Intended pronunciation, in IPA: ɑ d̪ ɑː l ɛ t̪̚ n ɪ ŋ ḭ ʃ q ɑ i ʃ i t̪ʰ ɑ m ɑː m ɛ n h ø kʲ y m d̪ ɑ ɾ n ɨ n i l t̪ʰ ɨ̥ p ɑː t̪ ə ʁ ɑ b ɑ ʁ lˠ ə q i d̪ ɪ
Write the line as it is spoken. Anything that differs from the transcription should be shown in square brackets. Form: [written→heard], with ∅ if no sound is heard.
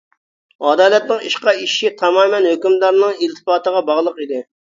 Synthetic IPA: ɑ d̪ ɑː l ɛ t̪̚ n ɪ ŋ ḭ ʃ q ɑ i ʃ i t̪ʰ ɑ m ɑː m ɛ n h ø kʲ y m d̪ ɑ ɾ n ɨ [n→ŋ] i l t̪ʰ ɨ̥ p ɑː t̪ ə ʁ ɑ b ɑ ʁ lˠ ə q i d̪ ɪ